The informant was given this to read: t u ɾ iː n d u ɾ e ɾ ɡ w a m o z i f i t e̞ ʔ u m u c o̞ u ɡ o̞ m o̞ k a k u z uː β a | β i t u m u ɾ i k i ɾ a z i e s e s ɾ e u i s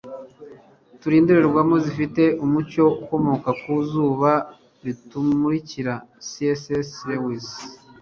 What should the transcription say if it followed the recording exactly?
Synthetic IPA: t u ɾ iː n d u ɾ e ɾ ɡ w a m o z i f i t e̞ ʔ u m u c o̞ u k o̞ m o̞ k a k u z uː β a | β i t u m u ɾ i c i ɾ a s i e s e s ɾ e w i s